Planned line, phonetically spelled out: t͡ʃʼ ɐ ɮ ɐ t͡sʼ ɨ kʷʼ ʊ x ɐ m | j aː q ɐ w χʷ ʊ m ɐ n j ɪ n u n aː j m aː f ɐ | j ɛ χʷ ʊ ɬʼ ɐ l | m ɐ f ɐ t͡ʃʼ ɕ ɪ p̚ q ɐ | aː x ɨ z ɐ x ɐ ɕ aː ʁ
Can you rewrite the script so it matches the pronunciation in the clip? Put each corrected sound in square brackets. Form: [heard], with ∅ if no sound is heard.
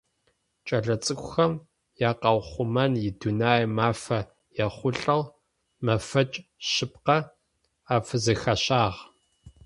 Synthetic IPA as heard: t͡ʃʼ ɐ ɮ ɐ t͡sʼ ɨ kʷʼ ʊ x ɐ m | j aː q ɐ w χʷ ʊ m ɐ n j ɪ [d] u n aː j m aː f ɐ | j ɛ χʷ ʊ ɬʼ ɐ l | m ɐ f ɐ t͡ʃʼ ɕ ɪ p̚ q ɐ | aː [f] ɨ z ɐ x ɐ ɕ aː ʁ